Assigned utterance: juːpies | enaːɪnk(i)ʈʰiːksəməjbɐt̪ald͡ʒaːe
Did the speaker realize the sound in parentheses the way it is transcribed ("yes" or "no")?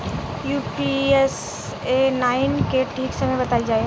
no